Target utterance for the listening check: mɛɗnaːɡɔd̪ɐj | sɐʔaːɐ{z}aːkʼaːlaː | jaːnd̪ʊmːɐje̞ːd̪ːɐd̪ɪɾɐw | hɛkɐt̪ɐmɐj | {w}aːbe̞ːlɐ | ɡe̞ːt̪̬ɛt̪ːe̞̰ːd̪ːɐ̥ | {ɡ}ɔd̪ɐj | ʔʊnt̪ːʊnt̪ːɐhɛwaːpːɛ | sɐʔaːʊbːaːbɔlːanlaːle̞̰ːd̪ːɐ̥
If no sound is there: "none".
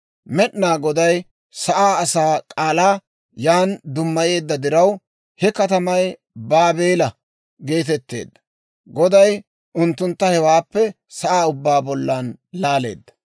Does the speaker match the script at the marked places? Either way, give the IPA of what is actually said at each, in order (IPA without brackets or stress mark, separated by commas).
s, b, ɡ